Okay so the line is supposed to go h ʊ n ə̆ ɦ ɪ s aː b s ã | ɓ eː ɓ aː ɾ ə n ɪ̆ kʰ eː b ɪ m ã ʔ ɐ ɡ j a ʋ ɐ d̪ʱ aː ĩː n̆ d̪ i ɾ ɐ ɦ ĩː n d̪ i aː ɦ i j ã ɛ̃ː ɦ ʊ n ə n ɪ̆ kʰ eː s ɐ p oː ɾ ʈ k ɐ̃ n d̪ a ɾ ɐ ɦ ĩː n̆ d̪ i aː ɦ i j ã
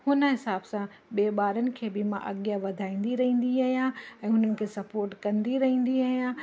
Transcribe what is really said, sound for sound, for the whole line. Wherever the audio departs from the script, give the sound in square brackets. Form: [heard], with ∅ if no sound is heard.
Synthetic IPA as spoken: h ʊ n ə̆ ɦ ɪ s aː b s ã | ɓ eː ɓ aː ɾ ə n ɪ̆ kʰ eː b ɪ m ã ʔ ɐ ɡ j a ʋ ɐ d̪ʱ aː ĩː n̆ d̪ i ɾ ɐ ɦ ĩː n d̪ i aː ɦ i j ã ɛ̃ː ɦ ʊ n ə n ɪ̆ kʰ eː s ɐ p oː ɾ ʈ k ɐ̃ n d̪ [i] ɾ ɐ ɦ ĩː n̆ d̪ i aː ɦ i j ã